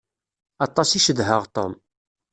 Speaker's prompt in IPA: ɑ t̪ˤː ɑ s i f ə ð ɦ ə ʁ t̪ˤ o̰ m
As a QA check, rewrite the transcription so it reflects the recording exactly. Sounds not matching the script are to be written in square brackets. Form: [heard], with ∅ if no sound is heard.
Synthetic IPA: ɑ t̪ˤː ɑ s i [ʃ] ə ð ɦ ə ʁ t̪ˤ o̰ m